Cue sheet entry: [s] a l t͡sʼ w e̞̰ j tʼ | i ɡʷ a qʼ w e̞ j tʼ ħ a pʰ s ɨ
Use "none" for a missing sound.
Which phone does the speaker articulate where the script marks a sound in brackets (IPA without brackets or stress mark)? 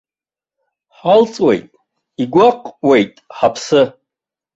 ħ